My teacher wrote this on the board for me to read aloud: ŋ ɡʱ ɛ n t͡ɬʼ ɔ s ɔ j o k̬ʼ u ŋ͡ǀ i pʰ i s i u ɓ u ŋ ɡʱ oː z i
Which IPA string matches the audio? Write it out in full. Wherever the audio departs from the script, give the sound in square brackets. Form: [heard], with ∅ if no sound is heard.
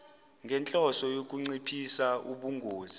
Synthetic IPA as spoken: ŋ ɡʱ ɛ n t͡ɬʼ ɔ s ɔ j o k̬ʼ u ŋ͡ǀ i pʰ i s [a] u ɓ u ŋ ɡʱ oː z i